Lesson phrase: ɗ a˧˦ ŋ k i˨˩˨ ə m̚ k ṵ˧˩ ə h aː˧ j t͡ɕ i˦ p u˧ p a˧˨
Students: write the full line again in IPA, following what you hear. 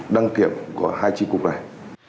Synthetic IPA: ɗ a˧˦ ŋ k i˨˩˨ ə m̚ k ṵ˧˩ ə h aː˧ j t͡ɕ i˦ k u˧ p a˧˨